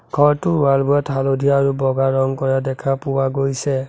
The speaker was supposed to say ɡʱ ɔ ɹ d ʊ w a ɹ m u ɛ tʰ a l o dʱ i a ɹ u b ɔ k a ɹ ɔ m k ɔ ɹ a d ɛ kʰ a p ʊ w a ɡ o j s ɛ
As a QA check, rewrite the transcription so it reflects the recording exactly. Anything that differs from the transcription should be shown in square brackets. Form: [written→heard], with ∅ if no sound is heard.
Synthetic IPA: ɡʱ ɔ ɹ [d→t] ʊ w a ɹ [m→b] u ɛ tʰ a l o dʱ i a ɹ u b ɔ [k→ɡ] a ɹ ɔ [m→ŋ] k ɔ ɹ a d ɛ kʰ a p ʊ w a ɡ o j s ɛ

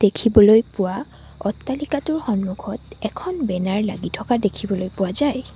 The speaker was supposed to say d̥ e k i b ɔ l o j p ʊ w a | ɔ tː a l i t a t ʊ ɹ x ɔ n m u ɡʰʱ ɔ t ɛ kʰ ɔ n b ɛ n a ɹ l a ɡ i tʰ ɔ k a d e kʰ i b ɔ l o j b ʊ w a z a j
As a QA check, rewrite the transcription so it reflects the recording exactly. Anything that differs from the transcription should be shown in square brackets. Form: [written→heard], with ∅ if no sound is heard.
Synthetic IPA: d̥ e [k→kʰ] i b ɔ l o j p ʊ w a | ɔ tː a l i [t→k] a t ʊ ɹ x ɔ n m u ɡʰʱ ɔ t ɛ kʰ ɔ n b ɛ n a ɹ l a ɡ i tʰ ɔ k a d e kʰ i b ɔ l o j [b→p] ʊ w a z a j

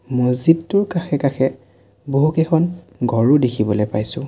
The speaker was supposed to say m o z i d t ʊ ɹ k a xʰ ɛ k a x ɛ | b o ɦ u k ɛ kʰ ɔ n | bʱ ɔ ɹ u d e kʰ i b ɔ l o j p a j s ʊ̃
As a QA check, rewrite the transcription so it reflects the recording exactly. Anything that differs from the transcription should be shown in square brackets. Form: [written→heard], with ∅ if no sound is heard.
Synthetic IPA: m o z i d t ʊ ɹ k a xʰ ɛ k a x ɛ | b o ɦ u k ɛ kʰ ɔ n | [bʱ→ɡʱ] ɔ ɹ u d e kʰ i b ɔ l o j p a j s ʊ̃

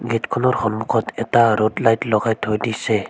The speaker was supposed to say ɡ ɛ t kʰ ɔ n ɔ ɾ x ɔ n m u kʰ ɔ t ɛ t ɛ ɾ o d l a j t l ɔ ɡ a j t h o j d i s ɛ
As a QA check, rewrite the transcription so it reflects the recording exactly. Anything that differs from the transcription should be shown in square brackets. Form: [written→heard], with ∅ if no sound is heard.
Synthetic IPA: ɡ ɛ t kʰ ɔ n ɔ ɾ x ɔ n m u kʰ ɔ t ɛ t [ɛ→a] ɾ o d l a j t l ɔ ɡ a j t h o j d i s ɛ

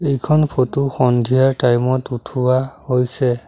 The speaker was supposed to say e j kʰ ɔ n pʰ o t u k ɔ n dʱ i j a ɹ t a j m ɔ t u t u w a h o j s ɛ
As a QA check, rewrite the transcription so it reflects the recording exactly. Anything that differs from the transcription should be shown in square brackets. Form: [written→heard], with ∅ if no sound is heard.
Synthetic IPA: e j kʰ ɔ n pʰ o t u [k→x] ɔ n dʱ i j a ɹ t a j m ɔ t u [t→tʰ] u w a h o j s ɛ

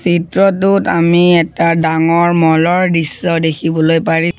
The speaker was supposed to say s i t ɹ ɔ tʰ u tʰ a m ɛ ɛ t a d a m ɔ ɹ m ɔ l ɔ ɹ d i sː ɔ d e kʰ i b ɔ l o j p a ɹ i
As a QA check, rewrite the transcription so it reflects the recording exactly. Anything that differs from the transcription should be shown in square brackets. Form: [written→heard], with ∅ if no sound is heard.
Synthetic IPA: s i t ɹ ɔ [tʰ→t] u [tʰ→t] a m [ɛ→i] ɛ t a d a [m→ŋ] ɔ ɹ m ɔ l ɔ ɹ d i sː ɔ d e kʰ i b ɔ l o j p a ɹ i

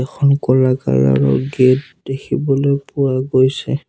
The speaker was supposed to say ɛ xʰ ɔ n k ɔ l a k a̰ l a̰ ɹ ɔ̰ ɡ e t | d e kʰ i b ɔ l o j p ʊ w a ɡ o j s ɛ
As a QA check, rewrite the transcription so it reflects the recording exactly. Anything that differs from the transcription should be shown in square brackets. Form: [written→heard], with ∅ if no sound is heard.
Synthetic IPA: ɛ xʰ ɔ n k ɔ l a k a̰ l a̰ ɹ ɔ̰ ɡ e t | d e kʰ i b ɔ l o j p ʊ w a ɡ o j s ɛ

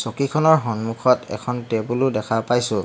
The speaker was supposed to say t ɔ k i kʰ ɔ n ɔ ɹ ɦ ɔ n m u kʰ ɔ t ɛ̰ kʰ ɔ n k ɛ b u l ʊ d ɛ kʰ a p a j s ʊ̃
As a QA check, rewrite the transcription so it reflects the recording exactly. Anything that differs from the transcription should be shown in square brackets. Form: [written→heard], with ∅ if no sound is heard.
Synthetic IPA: [t→s] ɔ k i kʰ ɔ n ɔ ɹ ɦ ɔ n m u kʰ ɔ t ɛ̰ kʰ ɔ n [k→t] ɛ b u l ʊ d ɛ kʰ a p a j s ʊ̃

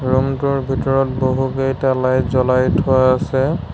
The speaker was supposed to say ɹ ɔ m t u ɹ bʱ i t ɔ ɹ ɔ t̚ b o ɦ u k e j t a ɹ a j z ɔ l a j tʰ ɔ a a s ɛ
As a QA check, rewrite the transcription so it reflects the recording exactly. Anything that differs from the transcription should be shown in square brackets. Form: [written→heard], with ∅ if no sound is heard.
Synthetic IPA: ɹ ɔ m t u ɹ bʱ i t ɔ ɹ ɔ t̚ b o ɦ u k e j t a [ɹ→l] a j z ɔ l a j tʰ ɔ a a s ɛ

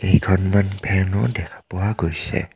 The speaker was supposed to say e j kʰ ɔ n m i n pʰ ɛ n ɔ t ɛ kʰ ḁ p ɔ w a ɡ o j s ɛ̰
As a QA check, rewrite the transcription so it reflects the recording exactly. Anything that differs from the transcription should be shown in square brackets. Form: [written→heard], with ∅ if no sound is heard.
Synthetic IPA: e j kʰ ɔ n m [i→a] n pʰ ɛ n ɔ [t→d] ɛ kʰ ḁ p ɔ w a ɡ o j s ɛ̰

